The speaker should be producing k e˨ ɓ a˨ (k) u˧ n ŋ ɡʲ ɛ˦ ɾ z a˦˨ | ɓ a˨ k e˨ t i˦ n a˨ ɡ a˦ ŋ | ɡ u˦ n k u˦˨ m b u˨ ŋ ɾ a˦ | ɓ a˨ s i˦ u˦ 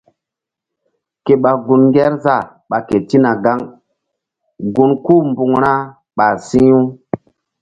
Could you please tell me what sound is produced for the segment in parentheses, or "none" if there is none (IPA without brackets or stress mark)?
ɡ